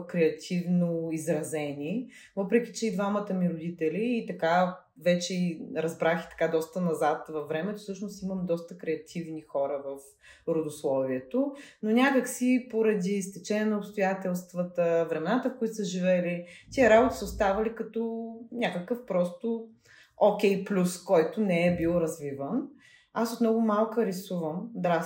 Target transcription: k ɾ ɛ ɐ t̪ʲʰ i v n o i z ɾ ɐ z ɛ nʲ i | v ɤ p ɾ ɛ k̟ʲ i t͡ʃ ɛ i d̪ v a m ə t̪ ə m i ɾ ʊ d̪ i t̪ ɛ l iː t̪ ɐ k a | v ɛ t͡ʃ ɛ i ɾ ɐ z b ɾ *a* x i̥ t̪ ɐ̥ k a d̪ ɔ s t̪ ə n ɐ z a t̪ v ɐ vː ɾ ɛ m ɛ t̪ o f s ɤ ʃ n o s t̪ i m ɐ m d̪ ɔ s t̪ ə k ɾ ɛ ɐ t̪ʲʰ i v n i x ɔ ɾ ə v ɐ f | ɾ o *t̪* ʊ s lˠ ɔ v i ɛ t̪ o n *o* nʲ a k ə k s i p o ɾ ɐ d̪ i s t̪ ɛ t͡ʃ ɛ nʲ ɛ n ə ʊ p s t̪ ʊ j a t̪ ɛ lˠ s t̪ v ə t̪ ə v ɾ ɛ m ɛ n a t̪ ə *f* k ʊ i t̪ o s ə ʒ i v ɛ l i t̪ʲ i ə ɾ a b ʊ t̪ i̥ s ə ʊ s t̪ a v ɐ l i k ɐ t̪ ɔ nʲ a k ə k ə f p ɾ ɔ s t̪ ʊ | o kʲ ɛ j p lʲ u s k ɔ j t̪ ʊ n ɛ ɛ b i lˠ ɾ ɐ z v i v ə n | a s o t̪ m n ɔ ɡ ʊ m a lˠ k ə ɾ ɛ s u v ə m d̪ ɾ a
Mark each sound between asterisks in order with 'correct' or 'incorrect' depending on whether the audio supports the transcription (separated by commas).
correct, incorrect, correct, correct